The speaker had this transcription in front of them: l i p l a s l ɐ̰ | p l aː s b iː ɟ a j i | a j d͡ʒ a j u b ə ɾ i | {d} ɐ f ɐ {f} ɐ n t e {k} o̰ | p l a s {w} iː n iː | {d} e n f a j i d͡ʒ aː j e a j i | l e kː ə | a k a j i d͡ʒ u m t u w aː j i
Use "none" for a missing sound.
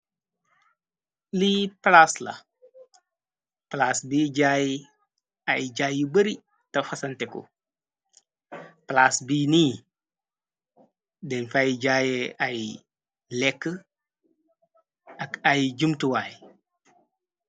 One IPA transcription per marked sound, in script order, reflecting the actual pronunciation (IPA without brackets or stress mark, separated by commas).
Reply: t, s, k, b, d